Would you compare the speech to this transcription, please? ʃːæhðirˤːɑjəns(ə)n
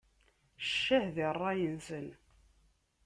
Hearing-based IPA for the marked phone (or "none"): ə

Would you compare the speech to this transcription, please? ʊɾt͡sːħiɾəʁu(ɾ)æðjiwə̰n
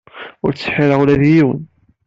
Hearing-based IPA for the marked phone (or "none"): l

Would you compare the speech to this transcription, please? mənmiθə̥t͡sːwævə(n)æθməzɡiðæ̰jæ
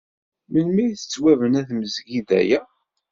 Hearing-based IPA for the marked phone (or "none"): n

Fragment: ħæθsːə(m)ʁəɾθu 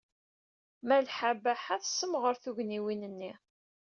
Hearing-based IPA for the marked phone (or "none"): m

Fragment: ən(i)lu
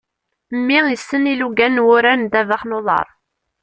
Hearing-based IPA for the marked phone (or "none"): i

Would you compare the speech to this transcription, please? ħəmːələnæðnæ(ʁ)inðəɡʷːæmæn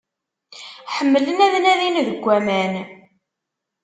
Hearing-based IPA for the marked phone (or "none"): ð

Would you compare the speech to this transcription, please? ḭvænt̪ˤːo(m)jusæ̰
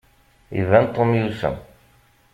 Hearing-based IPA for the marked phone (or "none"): m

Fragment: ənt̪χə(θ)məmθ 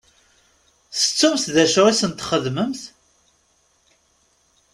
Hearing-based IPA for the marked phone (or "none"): ð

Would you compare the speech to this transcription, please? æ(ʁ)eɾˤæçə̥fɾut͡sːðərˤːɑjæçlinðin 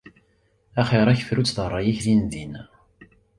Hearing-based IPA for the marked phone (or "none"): χ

